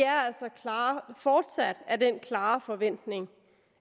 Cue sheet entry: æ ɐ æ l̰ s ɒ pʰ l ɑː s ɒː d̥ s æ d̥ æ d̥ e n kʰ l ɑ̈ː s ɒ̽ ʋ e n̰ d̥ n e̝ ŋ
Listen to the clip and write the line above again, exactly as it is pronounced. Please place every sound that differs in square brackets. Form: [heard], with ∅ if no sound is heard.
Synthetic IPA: æ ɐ æ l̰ s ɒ [kʰ] l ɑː [f] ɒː d̥ s æ d̥ æ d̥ e n kʰ l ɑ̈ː [f] ɒ̽ ʋ e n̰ d̥ n e̝ ŋ